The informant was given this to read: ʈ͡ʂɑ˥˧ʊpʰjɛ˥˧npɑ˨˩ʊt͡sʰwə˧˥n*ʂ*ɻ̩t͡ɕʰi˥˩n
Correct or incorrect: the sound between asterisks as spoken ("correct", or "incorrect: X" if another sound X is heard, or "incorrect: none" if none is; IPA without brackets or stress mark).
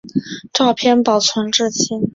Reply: incorrect: ʈ͡ʂ